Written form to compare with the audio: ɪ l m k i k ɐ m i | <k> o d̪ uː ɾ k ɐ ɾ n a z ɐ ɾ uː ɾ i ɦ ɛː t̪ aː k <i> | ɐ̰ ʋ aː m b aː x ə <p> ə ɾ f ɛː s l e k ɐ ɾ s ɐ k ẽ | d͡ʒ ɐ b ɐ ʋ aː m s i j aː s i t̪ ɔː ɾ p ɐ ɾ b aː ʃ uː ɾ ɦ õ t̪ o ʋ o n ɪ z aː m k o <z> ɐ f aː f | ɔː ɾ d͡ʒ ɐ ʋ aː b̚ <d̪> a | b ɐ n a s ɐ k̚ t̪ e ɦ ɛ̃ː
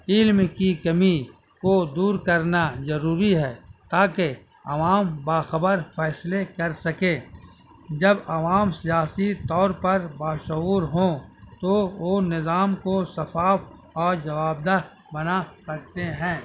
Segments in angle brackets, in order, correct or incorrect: correct, incorrect, incorrect, incorrect, correct

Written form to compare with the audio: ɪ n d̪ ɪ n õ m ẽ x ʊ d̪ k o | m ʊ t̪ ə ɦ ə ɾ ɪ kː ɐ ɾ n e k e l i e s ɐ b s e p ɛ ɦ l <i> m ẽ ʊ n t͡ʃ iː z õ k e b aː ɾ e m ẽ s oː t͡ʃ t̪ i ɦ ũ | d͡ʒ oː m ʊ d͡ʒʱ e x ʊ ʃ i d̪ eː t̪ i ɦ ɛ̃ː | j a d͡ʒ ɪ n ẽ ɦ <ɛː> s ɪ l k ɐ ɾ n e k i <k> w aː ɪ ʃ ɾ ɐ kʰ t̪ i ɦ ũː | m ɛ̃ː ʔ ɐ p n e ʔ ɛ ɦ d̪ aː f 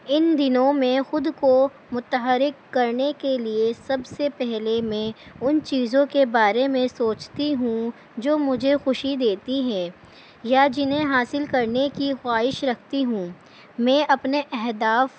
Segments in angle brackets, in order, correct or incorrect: incorrect, incorrect, incorrect

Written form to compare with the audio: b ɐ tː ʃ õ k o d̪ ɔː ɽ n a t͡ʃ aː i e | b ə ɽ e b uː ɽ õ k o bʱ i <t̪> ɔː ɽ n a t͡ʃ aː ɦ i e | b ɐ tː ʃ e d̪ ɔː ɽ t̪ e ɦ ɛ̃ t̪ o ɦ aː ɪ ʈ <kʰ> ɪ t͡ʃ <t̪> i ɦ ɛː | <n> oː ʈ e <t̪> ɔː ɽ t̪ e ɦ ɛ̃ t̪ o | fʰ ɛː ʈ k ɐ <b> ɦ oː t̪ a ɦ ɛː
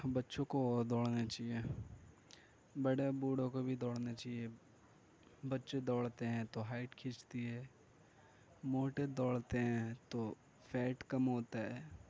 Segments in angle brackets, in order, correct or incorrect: incorrect, correct, correct, incorrect, incorrect, incorrect

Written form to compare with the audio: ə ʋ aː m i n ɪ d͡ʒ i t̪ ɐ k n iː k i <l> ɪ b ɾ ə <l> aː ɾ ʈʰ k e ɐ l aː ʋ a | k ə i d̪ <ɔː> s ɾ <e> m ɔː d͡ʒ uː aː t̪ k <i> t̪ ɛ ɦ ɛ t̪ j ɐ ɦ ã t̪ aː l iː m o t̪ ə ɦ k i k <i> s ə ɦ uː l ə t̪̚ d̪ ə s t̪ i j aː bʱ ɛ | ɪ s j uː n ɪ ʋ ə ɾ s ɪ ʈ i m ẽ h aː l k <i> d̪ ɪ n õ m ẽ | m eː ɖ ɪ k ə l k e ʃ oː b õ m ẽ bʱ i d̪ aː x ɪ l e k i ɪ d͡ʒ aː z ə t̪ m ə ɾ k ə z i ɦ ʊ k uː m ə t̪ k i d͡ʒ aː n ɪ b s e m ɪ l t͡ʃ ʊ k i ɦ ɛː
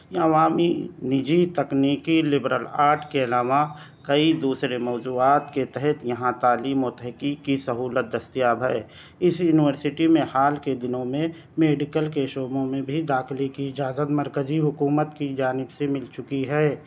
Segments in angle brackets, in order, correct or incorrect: correct, correct, incorrect, correct, incorrect, correct, incorrect

